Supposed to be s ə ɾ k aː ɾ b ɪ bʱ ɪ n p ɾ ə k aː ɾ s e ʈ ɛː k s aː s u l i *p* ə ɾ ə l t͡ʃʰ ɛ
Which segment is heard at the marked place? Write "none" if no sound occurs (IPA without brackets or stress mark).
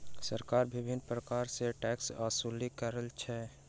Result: k